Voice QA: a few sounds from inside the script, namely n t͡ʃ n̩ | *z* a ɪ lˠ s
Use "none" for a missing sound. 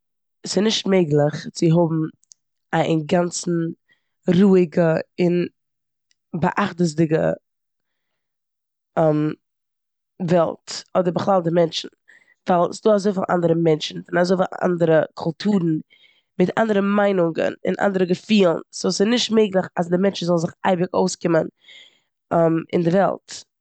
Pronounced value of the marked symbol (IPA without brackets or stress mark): v